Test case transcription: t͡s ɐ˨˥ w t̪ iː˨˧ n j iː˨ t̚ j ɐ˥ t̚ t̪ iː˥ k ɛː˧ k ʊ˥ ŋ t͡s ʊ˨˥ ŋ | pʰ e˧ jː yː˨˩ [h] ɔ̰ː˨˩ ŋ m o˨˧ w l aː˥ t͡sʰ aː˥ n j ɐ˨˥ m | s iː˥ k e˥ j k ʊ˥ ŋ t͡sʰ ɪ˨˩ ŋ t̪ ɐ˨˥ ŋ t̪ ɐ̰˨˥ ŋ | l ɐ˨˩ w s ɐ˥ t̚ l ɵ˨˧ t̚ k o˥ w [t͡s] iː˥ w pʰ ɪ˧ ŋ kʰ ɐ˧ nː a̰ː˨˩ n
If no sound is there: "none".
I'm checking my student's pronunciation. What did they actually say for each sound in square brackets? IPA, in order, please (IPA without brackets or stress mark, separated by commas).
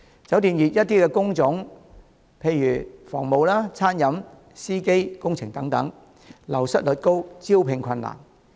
f, t͡s